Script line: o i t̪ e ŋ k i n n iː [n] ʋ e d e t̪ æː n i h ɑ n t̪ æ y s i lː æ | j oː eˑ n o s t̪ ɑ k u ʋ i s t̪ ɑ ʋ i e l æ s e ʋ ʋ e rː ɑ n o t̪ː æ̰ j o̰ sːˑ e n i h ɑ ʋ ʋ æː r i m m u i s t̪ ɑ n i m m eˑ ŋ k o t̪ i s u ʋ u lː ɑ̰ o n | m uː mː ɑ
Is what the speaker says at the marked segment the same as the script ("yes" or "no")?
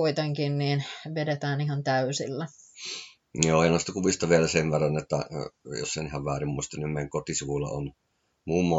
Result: yes